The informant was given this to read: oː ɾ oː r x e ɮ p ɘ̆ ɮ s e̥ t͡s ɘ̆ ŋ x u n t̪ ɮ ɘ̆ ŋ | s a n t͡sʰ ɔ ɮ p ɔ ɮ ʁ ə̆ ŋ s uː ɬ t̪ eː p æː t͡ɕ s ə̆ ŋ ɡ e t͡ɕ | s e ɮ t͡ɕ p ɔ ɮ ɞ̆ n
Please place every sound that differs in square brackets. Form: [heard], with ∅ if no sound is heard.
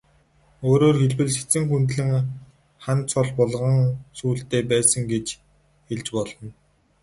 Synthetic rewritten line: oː ɾ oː r x e ɮ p ɘ̆ ɮ s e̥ t͡s ɘ̆ ŋ x u n t̪ ɮ ɘ̆ ŋ | [χ] a n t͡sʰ ɔ ɮ p ɔ ɮ ʁ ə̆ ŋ s uː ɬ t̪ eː p æː [∅] s ə̆ ŋ ɡ e t͡ɕ | [x] e ɮ t͡ɕ p ɔ ɮ ɞ̆ n